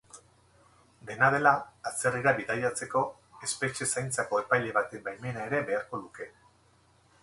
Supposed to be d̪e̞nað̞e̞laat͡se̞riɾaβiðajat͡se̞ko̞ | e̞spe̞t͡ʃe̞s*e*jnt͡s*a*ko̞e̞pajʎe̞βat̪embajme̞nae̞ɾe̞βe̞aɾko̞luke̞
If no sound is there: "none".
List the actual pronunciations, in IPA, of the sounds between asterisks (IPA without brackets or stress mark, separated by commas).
a, a